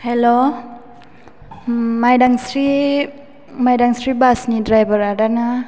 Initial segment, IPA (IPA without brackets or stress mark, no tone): h